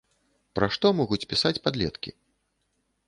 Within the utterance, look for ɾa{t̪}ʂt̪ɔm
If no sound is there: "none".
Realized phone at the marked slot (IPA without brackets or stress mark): none